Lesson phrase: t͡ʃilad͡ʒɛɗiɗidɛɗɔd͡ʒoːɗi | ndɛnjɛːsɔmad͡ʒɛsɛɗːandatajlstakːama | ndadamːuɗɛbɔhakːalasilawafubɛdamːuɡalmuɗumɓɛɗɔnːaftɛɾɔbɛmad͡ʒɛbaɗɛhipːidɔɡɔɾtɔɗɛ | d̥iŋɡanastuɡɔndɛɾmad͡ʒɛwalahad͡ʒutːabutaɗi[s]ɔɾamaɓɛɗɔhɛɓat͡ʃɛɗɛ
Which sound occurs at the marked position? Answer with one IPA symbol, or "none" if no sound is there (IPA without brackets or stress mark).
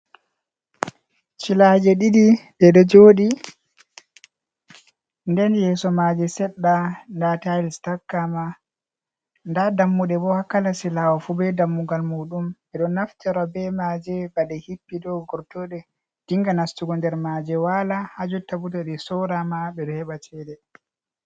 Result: s